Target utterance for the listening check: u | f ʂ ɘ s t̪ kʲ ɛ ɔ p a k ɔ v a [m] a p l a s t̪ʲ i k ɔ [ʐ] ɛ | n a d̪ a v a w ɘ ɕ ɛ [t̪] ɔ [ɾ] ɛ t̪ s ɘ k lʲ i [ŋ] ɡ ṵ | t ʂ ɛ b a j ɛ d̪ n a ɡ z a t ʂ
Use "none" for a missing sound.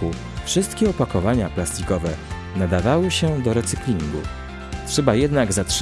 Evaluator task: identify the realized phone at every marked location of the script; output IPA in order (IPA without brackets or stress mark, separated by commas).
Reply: ɲ, v, d̪, ɾ, ŋ